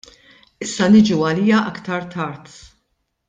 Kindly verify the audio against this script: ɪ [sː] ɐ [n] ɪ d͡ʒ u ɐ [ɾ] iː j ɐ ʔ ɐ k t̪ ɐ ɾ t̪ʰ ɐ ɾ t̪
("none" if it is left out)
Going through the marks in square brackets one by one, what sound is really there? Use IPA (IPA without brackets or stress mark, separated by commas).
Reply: sː, n, l